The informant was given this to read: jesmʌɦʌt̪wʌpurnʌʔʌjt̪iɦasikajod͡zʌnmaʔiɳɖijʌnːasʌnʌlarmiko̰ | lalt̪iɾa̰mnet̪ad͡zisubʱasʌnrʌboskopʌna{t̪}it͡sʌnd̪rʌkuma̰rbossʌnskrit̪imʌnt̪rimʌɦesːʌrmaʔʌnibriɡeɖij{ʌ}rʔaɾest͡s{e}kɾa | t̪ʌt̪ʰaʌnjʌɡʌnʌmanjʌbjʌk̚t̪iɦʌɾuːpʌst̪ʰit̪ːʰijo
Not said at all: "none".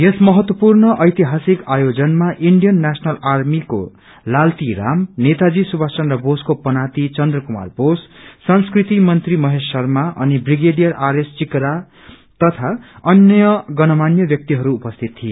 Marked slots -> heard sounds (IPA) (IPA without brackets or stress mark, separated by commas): t̪, ʌ, i